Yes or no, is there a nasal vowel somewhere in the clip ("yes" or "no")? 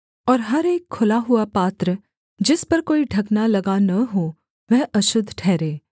no